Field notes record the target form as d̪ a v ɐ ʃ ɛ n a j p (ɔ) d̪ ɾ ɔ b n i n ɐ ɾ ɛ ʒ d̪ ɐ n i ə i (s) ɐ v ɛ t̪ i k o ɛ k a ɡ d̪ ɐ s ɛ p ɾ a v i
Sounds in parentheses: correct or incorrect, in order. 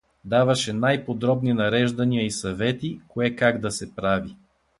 incorrect: o, correct

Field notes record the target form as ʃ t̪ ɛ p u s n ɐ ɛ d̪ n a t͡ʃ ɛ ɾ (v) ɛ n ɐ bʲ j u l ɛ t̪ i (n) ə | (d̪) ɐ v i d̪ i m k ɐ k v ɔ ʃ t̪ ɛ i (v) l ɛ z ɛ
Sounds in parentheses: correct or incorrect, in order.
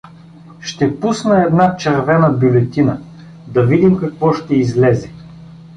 correct, correct, correct, incorrect: z

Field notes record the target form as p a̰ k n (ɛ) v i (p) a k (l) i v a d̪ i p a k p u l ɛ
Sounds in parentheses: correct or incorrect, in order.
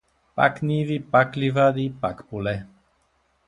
incorrect: i, correct, correct

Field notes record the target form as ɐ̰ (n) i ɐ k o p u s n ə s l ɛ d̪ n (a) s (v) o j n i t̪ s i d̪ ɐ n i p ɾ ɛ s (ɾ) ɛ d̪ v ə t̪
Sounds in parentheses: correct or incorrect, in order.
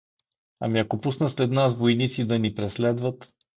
incorrect: m, correct, correct, incorrect: l

